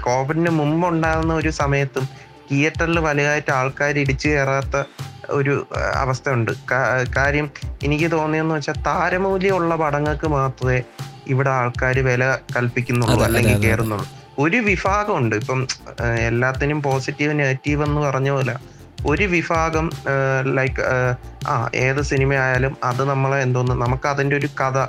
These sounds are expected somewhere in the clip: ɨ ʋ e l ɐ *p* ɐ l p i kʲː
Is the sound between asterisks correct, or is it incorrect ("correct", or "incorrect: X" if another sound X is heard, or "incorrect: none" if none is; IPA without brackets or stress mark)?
incorrect: k